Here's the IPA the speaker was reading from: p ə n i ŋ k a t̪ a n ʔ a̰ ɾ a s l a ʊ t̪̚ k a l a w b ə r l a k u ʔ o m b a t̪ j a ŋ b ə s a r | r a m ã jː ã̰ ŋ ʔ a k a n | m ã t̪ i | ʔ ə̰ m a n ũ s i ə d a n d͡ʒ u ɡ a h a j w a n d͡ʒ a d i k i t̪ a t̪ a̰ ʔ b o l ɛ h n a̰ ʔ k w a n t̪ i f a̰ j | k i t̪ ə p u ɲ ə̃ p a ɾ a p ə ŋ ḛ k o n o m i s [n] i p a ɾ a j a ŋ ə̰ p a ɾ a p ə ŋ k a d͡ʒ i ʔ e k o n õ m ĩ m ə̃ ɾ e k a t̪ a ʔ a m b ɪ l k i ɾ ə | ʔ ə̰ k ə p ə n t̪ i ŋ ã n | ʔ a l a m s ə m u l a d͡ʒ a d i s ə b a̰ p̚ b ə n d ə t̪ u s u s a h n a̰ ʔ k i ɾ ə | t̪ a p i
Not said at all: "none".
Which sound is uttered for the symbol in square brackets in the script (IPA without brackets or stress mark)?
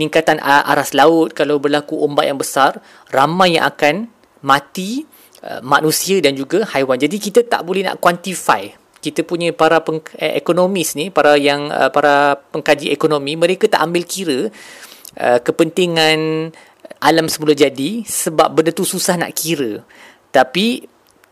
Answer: n